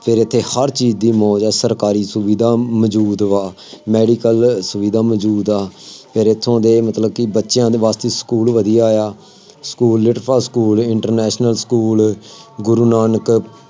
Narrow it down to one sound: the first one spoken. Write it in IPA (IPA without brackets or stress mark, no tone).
pʰ